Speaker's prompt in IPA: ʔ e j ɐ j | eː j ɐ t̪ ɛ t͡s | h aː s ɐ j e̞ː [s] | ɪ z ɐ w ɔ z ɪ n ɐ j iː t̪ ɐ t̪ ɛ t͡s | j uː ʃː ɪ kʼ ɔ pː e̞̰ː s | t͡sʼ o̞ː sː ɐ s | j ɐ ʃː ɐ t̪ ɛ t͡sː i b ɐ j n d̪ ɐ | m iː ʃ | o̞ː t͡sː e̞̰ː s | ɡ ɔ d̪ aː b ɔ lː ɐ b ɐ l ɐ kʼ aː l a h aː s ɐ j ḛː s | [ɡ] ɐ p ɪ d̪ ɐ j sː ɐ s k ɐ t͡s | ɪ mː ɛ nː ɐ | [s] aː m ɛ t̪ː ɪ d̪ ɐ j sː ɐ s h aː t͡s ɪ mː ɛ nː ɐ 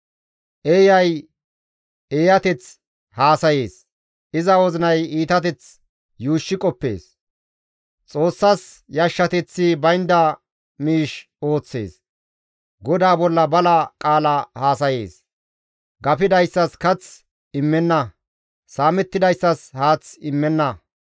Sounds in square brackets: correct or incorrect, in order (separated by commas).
correct, correct, correct